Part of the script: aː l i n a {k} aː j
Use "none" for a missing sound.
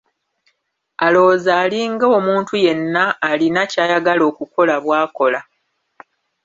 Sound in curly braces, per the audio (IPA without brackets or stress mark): c